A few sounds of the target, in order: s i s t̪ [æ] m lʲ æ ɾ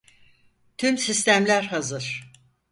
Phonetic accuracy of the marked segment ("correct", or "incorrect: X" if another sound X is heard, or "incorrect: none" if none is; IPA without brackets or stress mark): correct